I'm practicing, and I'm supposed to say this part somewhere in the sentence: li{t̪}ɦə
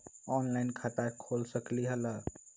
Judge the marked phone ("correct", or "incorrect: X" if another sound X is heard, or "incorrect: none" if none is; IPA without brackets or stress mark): incorrect: none